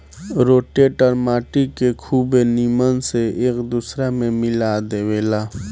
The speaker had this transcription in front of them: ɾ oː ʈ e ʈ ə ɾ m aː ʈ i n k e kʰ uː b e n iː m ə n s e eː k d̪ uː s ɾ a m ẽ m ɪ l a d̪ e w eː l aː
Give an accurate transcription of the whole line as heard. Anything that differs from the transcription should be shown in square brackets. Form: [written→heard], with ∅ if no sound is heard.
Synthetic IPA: ɾ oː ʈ e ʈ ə ɾ m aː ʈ i [n→∅] k e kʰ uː b e n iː m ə n s e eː k d̪ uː s ɾ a m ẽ m ɪ l a d̪ e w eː l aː